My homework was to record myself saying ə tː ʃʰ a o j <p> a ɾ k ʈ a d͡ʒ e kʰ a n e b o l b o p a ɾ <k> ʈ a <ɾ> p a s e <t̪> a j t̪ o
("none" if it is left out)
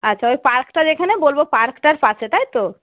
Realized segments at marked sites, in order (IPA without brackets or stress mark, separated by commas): p, k, ɾ, t̪